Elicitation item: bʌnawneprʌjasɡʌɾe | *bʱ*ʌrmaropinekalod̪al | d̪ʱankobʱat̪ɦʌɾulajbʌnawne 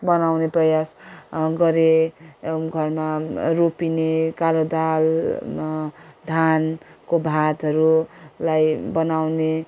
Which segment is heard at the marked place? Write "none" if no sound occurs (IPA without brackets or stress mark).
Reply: ɡʱ